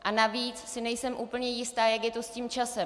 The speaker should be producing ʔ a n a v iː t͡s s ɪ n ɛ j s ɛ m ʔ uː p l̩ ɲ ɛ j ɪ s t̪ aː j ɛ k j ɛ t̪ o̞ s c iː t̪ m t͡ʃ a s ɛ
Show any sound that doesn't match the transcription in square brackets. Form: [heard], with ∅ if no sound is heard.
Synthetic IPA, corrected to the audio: ʔ a n a v iː t͡s s ɪ n ɛ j s ɛ m ʔ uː p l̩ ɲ ɛ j ɪ s t̪ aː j [a] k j ɛ t̪ o̞ s c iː [∅] m t͡ʃ a s ɛ